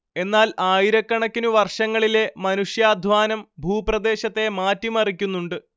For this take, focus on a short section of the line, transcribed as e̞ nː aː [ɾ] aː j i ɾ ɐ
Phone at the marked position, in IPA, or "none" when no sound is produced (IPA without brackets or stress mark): l